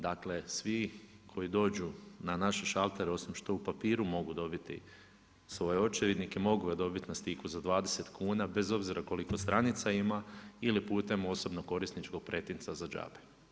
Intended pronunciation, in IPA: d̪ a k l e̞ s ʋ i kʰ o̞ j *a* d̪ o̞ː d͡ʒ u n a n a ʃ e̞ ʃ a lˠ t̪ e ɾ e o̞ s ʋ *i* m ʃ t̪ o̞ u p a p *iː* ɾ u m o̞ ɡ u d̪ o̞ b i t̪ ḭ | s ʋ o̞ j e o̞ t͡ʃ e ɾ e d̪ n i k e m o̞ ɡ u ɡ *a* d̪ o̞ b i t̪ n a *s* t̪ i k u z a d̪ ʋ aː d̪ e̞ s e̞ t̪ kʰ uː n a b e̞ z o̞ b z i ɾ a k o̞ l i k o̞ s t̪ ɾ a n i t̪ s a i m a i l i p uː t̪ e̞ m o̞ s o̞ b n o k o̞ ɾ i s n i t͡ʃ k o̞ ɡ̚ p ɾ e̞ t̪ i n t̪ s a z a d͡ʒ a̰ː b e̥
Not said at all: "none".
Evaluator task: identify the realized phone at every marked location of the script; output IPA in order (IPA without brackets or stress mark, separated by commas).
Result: i, i, iː, a, s